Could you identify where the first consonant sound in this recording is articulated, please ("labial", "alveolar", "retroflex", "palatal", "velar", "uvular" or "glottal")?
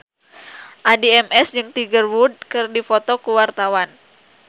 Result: glottal